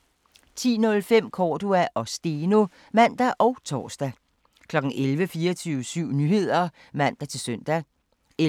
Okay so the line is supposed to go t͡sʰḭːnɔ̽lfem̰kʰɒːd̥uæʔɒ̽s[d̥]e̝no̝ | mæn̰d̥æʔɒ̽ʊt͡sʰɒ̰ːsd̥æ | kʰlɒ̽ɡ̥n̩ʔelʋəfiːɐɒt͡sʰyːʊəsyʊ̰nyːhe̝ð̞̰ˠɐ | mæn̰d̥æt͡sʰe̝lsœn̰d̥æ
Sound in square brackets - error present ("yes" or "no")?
no